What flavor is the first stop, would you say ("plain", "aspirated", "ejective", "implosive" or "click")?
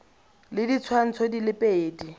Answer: plain